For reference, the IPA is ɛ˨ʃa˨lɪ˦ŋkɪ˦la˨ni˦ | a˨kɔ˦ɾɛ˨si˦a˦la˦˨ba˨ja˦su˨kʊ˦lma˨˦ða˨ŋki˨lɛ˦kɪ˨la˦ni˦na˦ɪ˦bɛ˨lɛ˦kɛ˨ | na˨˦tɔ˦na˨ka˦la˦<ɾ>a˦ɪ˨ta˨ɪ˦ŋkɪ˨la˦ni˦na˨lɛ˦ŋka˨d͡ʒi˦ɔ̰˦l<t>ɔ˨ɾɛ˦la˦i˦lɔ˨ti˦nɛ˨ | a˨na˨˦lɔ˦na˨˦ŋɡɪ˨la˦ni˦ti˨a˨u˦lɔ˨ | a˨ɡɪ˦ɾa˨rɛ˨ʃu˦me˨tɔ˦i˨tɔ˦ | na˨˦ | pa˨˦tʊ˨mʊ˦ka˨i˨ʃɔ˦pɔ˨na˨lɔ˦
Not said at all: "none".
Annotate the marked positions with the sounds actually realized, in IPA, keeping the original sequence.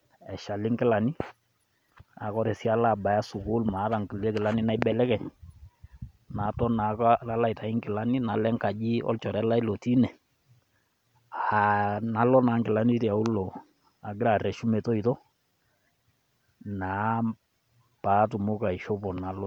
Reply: l, t͡ʃ

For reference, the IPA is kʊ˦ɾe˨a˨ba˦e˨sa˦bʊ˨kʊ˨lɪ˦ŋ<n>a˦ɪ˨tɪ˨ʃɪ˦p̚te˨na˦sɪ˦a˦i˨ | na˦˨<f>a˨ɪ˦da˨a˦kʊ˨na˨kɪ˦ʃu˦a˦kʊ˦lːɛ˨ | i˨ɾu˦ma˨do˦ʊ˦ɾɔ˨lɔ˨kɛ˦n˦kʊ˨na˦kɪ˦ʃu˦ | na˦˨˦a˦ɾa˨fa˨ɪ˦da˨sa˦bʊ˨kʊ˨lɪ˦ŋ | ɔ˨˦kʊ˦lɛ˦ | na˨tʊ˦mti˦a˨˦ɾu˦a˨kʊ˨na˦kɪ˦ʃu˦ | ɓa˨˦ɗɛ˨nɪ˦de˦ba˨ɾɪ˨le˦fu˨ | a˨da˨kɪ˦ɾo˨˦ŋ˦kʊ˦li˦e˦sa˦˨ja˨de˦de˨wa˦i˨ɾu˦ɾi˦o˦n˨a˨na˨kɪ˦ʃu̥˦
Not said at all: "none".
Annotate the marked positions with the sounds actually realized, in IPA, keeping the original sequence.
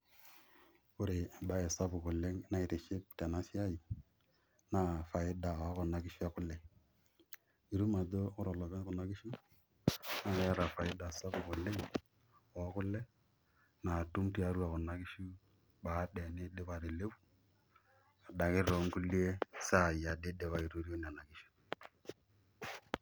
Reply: n, f

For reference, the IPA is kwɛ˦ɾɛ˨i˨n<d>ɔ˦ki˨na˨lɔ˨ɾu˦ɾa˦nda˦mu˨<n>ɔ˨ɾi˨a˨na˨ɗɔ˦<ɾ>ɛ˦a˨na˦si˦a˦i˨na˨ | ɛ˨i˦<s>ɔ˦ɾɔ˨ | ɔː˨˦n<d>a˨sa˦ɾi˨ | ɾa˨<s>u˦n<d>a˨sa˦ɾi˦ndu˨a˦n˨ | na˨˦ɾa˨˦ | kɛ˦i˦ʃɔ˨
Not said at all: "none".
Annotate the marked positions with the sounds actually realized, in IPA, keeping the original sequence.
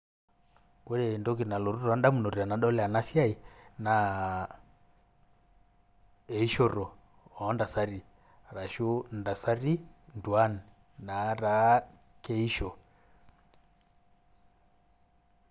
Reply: d, n, l, ʃ, d, ʃ, d

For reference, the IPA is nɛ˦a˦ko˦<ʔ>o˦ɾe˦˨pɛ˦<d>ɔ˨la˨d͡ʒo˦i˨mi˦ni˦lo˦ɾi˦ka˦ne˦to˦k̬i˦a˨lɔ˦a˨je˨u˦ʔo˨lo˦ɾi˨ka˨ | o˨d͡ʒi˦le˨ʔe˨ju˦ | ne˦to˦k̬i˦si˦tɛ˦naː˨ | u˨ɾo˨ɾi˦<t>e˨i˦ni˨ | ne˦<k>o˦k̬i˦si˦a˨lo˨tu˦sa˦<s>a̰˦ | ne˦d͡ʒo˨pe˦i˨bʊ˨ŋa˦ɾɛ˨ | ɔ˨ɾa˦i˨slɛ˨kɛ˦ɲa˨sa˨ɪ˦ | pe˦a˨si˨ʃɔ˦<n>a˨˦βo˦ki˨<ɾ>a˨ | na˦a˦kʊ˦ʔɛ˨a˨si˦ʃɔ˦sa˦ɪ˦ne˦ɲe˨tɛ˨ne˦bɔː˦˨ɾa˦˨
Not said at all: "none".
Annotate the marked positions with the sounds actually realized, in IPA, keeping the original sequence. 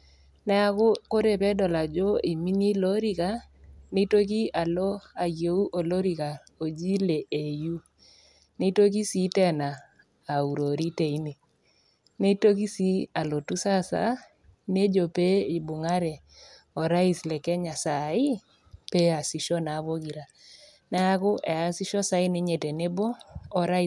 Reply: k, d, t, t, s, n, ɾ

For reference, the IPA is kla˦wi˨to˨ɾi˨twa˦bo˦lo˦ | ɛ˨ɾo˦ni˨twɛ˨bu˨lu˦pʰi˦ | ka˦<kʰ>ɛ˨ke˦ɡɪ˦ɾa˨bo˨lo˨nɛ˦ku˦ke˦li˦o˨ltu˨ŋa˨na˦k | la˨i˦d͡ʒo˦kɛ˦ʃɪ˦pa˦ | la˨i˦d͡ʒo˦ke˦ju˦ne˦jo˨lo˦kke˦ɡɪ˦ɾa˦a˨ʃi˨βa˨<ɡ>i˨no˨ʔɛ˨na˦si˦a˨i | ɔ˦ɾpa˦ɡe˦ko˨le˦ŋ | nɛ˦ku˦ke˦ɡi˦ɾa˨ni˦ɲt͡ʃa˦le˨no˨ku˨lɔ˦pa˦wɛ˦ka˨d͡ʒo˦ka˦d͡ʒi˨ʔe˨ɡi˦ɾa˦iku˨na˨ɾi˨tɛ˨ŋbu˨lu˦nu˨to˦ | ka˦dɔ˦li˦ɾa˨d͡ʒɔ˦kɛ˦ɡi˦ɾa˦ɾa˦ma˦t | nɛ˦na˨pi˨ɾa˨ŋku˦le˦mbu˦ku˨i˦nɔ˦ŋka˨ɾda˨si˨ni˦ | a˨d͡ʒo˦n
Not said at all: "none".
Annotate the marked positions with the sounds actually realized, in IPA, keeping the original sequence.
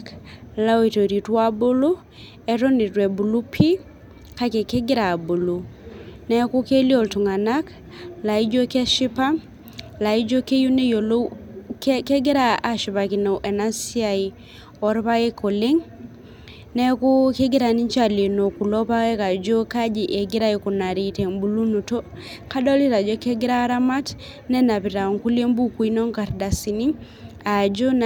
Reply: k, k

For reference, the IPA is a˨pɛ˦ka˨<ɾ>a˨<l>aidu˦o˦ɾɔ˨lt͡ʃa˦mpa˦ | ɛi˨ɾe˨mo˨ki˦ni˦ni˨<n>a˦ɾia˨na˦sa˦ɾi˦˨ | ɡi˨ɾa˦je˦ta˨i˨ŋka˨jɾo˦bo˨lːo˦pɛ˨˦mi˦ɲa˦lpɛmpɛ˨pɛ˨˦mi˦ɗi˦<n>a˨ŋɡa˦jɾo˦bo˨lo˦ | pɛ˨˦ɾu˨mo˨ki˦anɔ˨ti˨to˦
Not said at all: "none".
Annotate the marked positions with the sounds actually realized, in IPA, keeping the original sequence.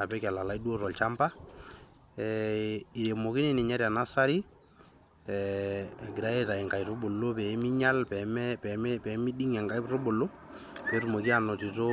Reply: l, l, ɲ, ŋ

